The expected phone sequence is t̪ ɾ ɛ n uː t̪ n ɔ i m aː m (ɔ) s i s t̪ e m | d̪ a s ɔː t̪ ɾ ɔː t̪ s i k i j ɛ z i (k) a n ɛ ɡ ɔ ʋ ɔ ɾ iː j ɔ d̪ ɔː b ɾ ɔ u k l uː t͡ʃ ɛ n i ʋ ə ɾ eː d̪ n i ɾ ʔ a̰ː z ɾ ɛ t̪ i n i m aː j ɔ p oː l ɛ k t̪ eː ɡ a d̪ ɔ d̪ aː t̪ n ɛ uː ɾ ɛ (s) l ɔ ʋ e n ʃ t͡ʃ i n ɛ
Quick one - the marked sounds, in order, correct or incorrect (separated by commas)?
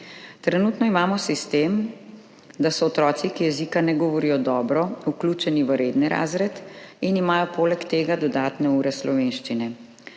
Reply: correct, correct, correct